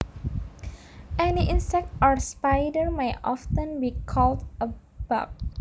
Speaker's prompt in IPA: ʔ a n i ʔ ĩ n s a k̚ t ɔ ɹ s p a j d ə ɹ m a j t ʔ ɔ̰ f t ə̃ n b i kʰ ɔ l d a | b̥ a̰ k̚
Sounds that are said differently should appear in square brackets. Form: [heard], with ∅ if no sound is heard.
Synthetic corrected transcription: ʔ [ɛ] n i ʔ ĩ n s [ɛ] k̚ t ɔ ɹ s p a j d ə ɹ m a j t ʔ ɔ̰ f t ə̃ n b i kʰ ɔ l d [ə] | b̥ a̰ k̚